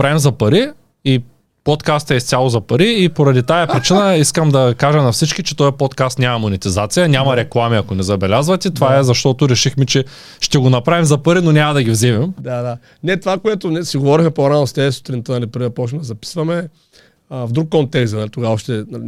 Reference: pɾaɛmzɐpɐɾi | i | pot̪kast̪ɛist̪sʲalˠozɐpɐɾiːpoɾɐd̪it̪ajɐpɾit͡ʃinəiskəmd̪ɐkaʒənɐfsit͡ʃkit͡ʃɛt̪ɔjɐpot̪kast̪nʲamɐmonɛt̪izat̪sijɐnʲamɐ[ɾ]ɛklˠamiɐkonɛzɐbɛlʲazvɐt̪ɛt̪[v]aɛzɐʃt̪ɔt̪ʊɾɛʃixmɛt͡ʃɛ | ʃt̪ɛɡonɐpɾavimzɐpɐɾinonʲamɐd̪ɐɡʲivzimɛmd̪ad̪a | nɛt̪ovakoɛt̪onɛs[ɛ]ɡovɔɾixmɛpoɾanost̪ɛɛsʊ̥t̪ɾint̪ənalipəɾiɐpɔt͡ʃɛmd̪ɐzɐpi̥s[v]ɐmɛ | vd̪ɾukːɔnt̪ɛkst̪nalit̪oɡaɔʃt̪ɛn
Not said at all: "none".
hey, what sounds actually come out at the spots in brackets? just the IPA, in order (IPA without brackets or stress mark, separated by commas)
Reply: ɾ, v, i, v